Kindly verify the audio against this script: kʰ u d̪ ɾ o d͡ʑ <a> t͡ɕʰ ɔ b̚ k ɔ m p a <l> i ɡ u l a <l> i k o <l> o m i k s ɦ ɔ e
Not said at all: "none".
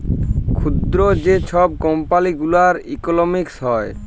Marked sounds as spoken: e, l, ɾ, l

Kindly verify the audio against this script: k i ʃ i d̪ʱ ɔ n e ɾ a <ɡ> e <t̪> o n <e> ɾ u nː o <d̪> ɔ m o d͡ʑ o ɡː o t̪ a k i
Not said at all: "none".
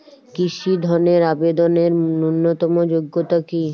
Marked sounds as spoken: b, d̪, e, t̪

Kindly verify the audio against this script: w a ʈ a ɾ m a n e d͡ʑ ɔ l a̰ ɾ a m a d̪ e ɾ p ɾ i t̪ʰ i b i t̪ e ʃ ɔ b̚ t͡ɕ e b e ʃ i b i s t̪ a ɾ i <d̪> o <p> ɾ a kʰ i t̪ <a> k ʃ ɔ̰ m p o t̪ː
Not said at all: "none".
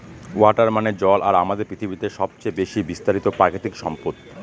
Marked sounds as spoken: t̪, p, i

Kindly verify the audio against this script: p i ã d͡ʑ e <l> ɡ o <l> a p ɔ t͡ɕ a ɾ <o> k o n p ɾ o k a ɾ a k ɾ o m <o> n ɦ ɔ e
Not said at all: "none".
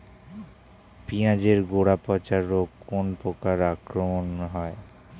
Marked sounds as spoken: ɾ, ɽ, o, o

